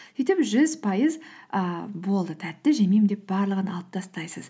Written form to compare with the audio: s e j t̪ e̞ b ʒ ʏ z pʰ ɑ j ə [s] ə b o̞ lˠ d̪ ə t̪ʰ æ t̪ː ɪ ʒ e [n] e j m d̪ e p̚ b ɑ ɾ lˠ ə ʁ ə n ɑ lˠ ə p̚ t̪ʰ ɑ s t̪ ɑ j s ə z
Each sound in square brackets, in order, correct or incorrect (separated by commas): incorrect, incorrect